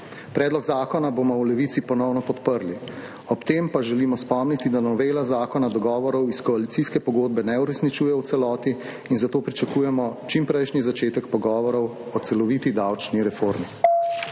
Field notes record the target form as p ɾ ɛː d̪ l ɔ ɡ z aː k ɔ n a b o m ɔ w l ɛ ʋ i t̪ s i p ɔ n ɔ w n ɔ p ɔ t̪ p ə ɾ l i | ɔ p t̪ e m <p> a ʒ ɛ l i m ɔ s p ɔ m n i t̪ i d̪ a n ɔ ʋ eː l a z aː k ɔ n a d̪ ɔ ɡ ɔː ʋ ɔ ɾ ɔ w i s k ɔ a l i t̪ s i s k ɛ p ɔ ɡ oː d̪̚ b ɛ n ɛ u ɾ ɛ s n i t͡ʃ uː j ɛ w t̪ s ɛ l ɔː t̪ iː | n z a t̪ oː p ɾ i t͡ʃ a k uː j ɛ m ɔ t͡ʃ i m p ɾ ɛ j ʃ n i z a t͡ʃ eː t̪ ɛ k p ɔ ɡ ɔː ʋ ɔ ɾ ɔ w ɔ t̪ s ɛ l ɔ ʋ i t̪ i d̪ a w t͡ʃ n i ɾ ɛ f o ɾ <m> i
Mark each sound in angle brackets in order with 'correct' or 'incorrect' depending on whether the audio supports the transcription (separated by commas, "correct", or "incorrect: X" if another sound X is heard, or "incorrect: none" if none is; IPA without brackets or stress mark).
correct, correct